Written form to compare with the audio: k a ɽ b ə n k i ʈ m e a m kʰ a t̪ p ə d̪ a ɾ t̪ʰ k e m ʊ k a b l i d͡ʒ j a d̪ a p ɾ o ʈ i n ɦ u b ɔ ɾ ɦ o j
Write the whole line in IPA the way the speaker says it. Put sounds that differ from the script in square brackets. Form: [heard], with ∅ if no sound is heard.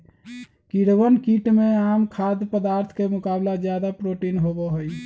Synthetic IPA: k [i] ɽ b ə n k i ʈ m e a m kʰ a [d̪] p ə d̪ a ɾ t̪ʰ k e m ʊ k a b l [a] d͡ʒ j a d̪ a p ɾ o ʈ i n ɦ [o] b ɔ [∅] ɦ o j